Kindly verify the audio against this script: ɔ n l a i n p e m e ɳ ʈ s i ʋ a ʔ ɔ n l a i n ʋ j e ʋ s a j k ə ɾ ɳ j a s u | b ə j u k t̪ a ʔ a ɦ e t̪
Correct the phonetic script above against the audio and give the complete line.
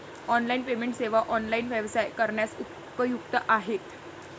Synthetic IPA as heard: ɔ n l a i n p e m e ɳ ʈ s e ʋ a ʔ ɔ n l a i n ʋ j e ʋ s a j k ə ɾ ɳ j a s u | p ə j u k t̪ ə ʔ a ɦ e t̪